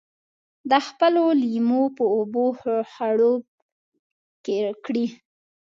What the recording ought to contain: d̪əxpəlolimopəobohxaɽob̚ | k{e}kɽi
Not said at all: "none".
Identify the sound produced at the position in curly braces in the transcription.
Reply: e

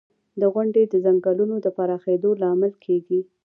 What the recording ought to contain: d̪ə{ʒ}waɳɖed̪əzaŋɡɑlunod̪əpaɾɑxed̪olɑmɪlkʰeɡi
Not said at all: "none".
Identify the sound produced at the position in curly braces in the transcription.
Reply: ɣ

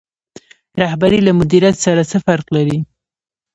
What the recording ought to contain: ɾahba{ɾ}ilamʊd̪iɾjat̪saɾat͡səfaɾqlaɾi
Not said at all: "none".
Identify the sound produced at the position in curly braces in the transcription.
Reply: ɾ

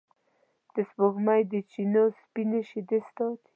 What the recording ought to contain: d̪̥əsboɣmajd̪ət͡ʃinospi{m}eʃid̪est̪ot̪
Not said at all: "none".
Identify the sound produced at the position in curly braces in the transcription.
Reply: n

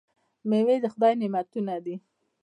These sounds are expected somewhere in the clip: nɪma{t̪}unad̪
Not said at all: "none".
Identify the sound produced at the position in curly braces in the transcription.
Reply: t̪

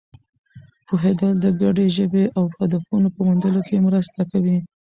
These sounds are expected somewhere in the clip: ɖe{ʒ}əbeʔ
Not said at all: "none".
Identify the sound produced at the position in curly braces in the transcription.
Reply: ʒ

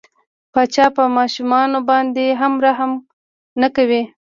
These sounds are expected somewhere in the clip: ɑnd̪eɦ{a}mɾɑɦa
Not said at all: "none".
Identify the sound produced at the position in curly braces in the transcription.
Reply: a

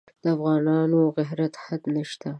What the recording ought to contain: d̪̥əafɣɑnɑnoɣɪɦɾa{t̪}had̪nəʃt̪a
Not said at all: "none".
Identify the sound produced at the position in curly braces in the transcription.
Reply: t̪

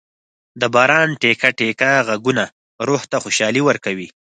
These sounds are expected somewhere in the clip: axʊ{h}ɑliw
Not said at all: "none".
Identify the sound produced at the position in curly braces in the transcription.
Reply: ʃ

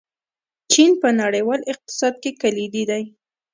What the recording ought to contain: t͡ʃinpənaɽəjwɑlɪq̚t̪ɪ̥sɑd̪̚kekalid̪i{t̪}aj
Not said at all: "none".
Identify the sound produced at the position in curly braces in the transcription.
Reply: d̪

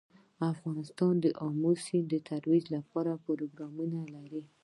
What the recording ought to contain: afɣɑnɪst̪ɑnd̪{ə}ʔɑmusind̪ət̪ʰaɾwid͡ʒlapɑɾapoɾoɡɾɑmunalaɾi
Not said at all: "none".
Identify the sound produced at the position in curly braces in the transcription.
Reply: ə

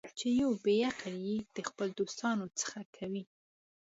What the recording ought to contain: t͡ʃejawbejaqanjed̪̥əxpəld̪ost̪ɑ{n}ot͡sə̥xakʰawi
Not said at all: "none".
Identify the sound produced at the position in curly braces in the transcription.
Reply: n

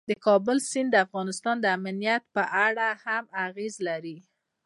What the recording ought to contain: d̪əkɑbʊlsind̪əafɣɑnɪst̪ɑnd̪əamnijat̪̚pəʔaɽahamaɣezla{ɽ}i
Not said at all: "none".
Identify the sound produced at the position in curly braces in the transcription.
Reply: ɾ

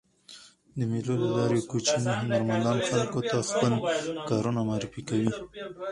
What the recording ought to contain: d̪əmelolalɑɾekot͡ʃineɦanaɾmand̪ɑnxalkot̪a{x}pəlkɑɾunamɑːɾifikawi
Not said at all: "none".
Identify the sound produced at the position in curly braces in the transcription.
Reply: x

